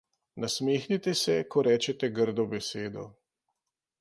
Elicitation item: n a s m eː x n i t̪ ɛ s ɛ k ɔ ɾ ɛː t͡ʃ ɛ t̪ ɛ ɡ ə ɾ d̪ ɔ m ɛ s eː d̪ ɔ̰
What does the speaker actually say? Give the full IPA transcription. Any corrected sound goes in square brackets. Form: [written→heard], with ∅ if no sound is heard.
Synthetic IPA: n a s m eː x n i t̪ ɛ s ɛ k ɔ ɾ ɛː t͡ʃ ɛ t̪ ɛ ɡ ə ɾ d̪ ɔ [m→b] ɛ s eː d̪ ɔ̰

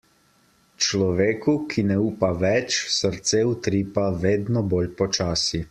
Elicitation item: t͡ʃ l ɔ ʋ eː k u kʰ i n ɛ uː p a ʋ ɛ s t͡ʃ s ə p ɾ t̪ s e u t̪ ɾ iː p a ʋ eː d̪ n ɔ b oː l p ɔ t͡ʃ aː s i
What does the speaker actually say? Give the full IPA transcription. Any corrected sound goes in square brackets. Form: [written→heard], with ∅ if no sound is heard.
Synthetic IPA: t͡ʃ l ɔ ʋ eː k u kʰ i n ɛ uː p a ʋ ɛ [s→∅] t͡ʃ s ə [p→∅] ɾ t̪ s e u t̪ ɾ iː p a ʋ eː d̪ n ɔ b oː l p ɔ t͡ʃ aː s i

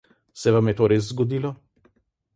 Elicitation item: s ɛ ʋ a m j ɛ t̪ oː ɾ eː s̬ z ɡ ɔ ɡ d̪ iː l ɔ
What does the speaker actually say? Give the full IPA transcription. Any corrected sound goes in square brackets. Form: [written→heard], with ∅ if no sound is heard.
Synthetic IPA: s ɛ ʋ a m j ɛ t̪ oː ɾ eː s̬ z ɡ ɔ [ɡ→∅] d̪ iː l ɔ

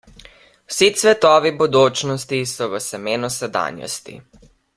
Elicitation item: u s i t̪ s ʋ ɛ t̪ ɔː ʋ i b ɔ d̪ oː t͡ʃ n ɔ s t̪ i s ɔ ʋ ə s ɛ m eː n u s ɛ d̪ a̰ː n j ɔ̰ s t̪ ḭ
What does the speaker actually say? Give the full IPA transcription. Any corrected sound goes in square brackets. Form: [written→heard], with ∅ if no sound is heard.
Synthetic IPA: [u→w] s i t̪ s ʋ ɛ t̪ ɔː ʋ i b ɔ d̪ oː t͡ʃ n ɔ s t̪ i s ɔ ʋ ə s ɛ m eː n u s ɛ d̪ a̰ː n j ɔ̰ s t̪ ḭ

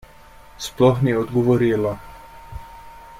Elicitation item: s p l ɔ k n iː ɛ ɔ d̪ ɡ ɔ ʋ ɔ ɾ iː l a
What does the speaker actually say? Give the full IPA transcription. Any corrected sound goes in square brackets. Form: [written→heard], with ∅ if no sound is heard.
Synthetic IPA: s p l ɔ [k→x] n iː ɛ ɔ d̪ ɡ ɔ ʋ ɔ ɾ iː l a

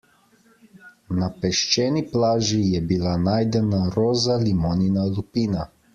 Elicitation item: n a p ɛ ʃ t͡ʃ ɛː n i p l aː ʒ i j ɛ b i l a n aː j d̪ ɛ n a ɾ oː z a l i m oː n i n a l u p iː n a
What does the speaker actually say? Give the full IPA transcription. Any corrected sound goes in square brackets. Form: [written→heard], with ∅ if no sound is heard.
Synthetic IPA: n a p ɛ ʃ t͡ʃ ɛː n i p l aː ʒ i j ɛ b i l a n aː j d̪ ɛ n a ɾ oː z a l i m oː n i n a l u p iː n a

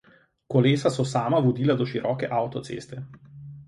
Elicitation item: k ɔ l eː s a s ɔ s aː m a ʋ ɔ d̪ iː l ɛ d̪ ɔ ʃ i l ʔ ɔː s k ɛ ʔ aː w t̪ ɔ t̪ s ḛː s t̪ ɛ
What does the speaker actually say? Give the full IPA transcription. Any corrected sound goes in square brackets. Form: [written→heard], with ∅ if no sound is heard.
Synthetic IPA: k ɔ l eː s a s ɔ s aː m a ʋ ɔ d̪ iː l [ɛ→a] d̪ ɔ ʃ i [l→ɾ] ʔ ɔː [s→∅] k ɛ ʔ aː w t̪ ɔ t̪ s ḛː s t̪ ɛ

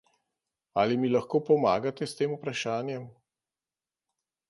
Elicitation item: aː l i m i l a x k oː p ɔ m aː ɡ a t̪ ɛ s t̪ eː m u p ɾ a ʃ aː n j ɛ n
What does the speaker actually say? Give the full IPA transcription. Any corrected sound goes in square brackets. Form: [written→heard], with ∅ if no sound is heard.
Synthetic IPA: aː l i m i l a x k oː p ɔ m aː ɡ a t̪ ɛ s t̪ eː m u p ɾ a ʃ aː n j ɛ [n→m]

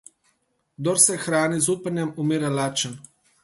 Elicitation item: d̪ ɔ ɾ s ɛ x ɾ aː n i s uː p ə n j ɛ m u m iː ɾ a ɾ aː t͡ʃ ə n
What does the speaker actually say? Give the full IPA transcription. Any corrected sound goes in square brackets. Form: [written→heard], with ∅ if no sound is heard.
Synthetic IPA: d̪ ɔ ɾ s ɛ x ɾ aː n i [s→z] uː p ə n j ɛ m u m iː ɾ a [ɾ→l] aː t͡ʃ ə n

